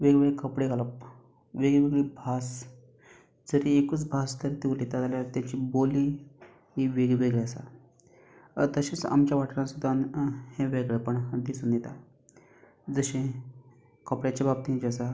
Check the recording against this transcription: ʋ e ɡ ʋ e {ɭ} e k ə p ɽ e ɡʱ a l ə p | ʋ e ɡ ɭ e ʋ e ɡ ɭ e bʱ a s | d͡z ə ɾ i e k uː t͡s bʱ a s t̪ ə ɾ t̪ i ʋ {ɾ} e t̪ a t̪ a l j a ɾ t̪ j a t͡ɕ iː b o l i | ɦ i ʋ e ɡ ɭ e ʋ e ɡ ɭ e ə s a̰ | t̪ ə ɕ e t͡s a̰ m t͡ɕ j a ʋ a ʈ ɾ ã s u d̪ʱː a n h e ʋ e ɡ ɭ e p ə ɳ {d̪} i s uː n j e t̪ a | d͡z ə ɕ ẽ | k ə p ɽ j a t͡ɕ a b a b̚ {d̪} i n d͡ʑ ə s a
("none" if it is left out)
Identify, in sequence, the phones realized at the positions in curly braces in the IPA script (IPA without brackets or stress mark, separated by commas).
ɭ, l, d̪, t̪